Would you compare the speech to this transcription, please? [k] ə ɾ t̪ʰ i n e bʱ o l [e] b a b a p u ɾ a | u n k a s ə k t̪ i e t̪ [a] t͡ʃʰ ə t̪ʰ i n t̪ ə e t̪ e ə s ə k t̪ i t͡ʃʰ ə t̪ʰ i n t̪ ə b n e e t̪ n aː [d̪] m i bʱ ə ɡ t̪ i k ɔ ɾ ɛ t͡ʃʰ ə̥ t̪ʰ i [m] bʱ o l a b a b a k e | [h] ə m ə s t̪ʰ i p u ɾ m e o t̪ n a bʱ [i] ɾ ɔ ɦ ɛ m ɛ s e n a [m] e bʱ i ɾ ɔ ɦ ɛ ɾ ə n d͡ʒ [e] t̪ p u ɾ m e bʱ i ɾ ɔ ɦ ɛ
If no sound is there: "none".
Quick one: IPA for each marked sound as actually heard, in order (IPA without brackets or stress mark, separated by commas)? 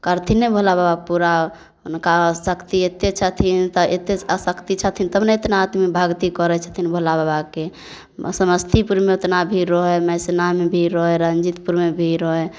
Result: k, a, e, t̪, n, s, i, m, i